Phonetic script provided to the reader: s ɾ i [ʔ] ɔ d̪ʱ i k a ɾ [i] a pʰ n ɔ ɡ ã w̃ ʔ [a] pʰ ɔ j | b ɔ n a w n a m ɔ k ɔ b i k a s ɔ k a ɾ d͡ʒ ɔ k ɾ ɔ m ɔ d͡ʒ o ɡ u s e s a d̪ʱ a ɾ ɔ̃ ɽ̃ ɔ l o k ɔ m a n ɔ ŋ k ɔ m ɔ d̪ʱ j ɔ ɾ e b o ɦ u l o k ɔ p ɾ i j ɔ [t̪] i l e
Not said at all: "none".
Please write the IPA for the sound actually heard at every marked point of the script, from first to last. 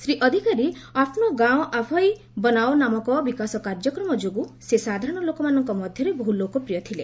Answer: ʔ, i, a, t̪ʰ

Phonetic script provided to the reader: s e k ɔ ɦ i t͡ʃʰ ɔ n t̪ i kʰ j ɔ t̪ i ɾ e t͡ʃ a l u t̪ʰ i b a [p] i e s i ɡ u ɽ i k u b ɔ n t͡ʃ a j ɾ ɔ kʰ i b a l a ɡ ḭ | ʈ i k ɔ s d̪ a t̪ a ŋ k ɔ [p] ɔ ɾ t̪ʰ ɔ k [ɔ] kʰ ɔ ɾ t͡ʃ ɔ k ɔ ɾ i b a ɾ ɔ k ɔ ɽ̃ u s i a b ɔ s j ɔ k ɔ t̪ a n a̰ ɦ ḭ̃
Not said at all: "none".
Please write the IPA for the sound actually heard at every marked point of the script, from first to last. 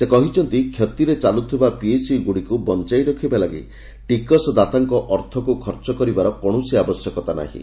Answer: p, ʔ, u

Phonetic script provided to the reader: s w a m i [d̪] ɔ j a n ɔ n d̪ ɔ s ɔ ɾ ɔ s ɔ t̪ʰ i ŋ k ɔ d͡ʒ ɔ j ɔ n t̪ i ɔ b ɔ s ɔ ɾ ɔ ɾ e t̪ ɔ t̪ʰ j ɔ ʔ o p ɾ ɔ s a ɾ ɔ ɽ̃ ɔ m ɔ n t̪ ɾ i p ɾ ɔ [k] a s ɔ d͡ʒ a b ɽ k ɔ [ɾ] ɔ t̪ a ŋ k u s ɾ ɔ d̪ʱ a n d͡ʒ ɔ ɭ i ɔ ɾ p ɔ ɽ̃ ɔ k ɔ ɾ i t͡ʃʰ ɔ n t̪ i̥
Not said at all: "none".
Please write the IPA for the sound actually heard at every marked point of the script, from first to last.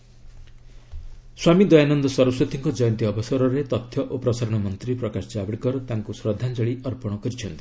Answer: d̪, k, ɾ

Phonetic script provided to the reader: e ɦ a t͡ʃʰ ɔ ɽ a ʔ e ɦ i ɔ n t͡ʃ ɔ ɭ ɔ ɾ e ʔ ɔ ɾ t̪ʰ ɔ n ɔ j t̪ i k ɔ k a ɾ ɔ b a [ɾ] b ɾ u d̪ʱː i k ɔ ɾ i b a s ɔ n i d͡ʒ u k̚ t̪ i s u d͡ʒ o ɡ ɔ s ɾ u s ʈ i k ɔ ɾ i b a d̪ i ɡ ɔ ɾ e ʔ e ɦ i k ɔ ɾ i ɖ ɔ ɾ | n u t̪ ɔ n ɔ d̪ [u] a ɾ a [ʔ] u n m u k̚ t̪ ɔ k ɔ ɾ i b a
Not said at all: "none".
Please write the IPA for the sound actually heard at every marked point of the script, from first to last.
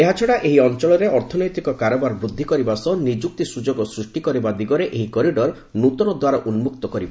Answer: ɾ, w, ʔ

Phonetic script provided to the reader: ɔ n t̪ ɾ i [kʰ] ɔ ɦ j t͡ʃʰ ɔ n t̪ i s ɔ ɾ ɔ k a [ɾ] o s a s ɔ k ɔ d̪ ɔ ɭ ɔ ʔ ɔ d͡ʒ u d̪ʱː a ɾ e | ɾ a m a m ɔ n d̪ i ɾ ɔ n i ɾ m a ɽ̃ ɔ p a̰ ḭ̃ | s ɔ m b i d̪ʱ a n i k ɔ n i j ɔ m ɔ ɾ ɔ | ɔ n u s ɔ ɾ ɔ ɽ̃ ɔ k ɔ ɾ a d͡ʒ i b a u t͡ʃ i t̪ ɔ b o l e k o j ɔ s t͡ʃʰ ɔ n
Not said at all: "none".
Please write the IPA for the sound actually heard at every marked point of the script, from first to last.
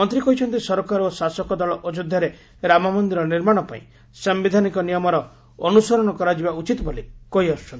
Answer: k, ɾ

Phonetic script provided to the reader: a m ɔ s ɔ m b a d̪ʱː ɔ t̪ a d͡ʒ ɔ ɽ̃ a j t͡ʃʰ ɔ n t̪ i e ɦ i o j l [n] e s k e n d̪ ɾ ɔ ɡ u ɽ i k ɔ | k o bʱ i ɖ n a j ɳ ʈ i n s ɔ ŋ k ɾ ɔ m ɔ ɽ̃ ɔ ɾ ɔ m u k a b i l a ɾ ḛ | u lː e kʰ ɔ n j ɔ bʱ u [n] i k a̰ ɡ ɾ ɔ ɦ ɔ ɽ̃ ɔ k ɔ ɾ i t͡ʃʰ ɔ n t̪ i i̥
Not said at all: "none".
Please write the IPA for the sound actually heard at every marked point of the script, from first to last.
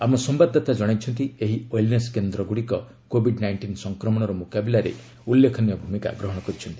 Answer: n, m

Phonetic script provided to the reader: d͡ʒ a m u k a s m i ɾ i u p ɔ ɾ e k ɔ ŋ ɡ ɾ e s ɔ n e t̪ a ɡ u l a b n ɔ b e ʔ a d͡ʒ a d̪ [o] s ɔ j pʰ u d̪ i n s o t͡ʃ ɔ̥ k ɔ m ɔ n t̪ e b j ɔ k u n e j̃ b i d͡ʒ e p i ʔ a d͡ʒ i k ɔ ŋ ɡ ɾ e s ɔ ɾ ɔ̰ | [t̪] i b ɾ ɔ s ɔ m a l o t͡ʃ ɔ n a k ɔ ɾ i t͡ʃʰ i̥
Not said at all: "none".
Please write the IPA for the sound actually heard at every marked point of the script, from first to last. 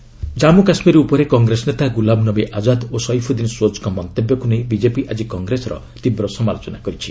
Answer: o, t̪

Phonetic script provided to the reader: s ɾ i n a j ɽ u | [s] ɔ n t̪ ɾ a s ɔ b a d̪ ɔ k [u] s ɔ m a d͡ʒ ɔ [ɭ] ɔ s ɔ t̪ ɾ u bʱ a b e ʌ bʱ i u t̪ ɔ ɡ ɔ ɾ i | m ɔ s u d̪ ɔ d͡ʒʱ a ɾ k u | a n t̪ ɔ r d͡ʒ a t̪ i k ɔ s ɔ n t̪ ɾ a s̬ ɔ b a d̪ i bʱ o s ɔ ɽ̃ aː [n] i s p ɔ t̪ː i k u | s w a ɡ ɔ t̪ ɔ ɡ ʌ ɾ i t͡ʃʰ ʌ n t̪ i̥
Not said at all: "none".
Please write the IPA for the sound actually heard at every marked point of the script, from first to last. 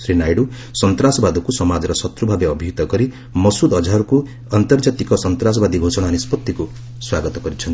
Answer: s, u, ɾ, n

